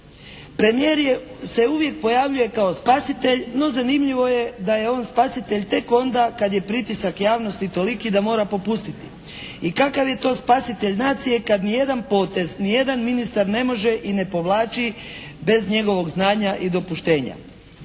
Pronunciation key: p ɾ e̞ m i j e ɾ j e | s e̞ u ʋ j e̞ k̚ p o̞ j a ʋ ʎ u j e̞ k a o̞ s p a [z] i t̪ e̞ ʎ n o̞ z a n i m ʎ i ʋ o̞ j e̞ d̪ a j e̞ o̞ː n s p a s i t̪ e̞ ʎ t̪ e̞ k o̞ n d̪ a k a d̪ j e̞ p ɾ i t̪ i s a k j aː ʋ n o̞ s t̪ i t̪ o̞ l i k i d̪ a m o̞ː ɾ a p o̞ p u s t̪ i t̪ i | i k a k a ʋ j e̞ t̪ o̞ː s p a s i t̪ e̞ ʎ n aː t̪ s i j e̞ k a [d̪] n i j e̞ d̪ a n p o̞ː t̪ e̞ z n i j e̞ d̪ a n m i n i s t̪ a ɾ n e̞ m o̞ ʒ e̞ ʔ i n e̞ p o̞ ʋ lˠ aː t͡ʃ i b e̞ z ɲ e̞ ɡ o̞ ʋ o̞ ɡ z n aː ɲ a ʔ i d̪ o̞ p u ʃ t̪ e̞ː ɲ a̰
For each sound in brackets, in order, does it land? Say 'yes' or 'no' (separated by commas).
no, yes